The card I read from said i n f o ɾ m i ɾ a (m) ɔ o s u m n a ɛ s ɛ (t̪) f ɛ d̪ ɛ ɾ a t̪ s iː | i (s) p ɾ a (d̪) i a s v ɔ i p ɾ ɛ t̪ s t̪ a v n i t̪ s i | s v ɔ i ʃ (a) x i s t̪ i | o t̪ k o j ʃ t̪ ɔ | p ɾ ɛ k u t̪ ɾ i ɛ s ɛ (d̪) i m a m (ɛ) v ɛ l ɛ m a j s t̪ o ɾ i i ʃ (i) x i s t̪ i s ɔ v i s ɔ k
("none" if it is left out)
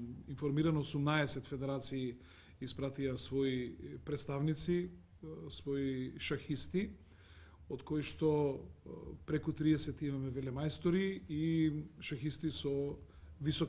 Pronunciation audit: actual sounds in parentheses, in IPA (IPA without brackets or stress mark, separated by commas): n, t̪, s, t̪, a, t̪, ɛ, a